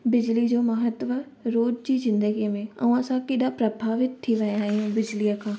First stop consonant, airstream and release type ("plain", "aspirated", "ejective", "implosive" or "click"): plain